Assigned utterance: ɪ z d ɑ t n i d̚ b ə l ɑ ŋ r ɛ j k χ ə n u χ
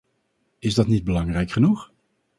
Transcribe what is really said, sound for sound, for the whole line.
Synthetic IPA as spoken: ɪ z d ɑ t n i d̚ b ə l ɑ ŋ r ɛ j k χ ə n u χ